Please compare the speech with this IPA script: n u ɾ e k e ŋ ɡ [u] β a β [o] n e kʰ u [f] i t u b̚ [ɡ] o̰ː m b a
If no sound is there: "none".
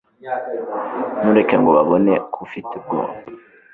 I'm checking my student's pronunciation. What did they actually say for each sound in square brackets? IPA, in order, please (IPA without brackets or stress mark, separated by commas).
o, o, f, ɡ